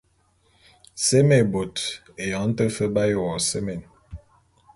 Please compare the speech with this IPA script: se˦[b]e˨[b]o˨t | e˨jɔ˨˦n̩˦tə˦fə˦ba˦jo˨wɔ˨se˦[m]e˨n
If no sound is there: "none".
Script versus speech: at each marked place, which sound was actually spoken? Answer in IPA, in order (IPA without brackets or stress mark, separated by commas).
m, b, m